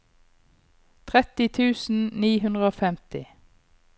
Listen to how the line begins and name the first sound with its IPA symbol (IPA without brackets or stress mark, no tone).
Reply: t̪ʰ